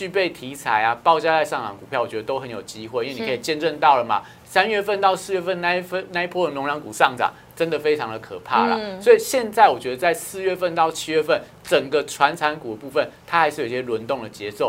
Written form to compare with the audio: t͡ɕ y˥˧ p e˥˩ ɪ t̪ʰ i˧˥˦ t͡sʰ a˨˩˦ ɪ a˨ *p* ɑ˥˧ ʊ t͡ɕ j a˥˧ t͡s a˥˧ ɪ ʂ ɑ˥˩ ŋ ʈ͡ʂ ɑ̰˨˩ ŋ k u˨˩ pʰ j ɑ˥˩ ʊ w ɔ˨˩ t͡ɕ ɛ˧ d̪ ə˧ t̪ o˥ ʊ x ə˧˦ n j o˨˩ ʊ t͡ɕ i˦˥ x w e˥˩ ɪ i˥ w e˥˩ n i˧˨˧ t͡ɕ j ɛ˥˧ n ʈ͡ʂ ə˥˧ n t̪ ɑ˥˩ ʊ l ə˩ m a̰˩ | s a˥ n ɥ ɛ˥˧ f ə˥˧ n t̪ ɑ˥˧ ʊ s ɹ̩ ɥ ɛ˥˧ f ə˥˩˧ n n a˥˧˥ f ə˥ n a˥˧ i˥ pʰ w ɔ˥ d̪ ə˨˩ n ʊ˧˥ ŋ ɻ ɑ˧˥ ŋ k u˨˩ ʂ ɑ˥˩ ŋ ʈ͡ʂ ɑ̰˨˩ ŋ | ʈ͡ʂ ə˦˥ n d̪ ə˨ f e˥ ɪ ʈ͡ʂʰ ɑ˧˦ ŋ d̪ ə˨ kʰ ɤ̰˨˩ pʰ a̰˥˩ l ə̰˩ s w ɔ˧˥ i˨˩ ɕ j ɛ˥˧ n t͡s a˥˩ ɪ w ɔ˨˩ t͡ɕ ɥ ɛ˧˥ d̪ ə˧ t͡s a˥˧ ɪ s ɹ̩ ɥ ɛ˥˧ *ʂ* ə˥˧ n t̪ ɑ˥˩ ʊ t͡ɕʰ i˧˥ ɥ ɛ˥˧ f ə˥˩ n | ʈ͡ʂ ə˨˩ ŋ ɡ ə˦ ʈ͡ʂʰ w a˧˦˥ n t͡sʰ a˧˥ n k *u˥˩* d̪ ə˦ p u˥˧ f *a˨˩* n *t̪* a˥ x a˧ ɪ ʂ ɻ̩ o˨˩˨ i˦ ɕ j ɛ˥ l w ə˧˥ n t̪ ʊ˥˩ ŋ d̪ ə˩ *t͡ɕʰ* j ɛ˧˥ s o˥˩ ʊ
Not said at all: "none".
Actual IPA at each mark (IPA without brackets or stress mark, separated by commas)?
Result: p, f, u˨˩, ə˨˩, t̪ʰ, t͡ɕ